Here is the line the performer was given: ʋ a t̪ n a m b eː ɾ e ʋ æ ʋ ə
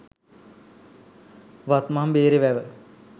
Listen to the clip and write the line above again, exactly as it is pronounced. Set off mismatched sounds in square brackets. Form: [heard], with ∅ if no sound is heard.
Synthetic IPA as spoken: ʋ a t̪ [m] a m b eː ɾ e ʋ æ ʋ ə